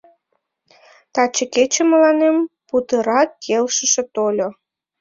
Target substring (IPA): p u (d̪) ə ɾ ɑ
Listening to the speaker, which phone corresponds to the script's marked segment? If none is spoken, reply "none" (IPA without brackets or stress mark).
t̪